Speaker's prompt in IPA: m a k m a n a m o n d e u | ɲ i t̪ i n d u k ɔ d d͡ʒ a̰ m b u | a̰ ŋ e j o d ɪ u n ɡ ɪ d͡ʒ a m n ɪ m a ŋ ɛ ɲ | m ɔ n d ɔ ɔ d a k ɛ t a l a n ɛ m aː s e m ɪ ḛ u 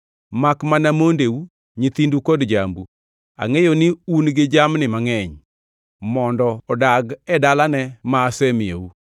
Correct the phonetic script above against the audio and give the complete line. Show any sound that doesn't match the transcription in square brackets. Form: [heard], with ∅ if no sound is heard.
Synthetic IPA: m a k m a n a m o n d e u | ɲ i t̪ i n d u k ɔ d d͡ʒ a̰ m b u | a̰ ŋ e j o [n] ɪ u n ɡ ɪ d͡ʒ a m n ɪ m a ŋ ɛ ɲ | m ɔ n d ɔ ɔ d a [ɡ] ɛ [d] a l a n ɛ m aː s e m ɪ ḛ u